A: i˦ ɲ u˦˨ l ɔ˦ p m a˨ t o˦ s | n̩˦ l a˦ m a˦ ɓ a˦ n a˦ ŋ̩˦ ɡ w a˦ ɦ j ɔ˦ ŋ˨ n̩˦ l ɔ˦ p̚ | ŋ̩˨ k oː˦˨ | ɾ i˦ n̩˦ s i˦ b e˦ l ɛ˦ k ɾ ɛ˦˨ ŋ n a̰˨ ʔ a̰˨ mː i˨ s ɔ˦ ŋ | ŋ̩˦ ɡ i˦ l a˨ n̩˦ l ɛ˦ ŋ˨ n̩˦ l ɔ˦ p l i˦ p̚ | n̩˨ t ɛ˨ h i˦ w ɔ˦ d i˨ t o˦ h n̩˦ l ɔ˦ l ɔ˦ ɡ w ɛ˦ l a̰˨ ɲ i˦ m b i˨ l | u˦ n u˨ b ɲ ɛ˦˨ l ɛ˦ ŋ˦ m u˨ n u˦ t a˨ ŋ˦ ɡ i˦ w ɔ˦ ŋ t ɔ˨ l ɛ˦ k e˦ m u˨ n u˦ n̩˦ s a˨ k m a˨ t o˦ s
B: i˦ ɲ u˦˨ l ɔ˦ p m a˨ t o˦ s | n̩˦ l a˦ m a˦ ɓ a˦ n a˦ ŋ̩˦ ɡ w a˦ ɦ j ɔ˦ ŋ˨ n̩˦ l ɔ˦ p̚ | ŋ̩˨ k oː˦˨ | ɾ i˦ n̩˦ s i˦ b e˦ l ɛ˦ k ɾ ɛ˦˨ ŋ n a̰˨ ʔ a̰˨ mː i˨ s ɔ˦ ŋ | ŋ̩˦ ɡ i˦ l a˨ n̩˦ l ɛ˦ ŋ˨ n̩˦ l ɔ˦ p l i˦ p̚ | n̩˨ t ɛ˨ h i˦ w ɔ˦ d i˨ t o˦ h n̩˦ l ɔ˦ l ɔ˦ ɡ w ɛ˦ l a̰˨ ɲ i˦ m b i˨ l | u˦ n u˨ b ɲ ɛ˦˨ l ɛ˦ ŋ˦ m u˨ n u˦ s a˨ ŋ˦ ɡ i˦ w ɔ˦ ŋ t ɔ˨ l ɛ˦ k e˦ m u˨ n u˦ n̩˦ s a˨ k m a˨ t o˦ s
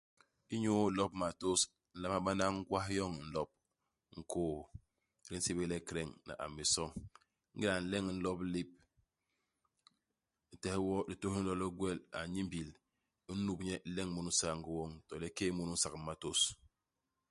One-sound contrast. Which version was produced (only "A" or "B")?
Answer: B